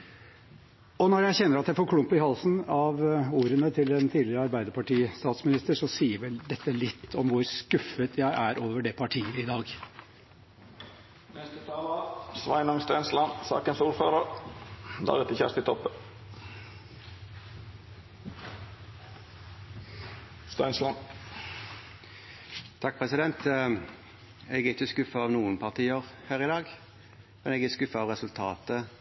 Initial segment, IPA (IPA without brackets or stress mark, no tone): ɔ